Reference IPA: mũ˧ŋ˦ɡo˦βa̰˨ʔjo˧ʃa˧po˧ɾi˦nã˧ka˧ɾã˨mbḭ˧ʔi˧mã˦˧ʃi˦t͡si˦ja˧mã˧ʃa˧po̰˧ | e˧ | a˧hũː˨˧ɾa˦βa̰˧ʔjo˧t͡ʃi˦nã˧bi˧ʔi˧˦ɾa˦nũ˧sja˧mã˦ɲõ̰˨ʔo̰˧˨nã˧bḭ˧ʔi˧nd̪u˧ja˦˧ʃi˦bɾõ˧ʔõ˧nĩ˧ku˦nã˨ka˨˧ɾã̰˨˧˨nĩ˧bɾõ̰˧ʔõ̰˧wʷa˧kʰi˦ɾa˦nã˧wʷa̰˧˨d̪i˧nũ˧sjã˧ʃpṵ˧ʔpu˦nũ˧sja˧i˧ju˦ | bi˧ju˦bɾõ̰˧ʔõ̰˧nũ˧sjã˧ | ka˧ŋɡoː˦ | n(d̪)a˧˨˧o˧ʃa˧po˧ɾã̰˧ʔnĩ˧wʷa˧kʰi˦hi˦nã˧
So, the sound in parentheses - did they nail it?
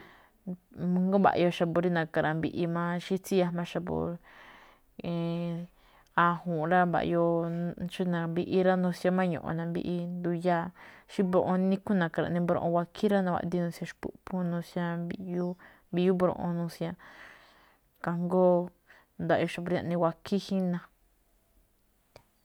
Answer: yes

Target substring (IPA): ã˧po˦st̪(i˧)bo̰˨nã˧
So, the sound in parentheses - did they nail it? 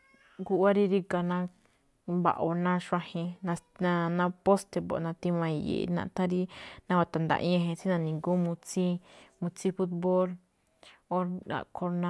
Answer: no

